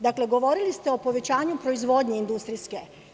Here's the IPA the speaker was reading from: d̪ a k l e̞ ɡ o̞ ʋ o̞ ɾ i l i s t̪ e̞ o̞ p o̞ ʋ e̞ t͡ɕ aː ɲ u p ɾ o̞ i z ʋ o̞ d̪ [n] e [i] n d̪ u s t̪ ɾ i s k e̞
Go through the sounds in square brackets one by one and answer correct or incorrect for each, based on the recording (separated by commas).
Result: incorrect, correct